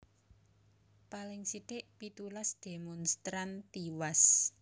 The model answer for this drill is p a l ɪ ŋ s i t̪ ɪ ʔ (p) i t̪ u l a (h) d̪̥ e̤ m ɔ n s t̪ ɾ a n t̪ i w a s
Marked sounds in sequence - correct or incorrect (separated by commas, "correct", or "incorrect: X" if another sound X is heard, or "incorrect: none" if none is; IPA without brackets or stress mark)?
correct, incorrect: s